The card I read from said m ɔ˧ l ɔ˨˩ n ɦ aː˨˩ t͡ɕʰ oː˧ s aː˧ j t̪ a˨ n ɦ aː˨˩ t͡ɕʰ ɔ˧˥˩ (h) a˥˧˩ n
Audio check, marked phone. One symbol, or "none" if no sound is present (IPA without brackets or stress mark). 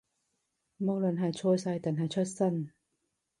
s